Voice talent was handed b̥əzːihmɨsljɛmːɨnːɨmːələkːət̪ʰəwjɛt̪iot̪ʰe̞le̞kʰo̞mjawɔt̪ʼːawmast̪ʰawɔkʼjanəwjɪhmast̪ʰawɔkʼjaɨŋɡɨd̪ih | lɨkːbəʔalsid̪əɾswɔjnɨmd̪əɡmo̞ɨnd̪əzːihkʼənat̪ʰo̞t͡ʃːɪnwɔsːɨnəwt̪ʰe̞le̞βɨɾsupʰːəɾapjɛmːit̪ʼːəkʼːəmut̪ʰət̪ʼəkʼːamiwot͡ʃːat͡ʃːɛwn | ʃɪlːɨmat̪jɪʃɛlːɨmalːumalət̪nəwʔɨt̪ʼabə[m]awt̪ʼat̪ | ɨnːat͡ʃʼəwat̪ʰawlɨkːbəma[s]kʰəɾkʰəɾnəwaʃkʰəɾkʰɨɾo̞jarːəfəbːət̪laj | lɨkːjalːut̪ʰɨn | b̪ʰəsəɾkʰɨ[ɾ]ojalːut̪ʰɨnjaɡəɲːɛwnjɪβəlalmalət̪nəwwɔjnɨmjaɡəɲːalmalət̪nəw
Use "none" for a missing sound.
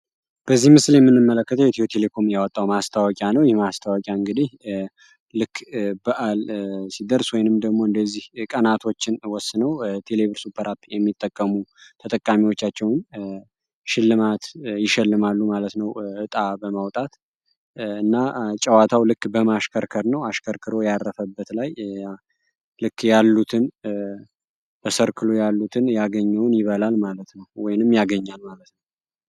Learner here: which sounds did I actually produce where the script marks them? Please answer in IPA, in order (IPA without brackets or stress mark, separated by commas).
m, ʃ, l